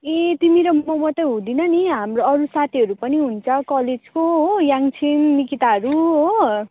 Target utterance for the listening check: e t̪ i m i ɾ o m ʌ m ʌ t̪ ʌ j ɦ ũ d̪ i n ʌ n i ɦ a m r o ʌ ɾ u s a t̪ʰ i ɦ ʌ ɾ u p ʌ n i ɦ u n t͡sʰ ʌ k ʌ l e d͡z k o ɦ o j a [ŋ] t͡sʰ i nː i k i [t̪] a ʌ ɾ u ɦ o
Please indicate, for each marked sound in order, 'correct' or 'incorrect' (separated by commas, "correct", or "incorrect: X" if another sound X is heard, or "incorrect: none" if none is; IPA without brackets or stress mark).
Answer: correct, correct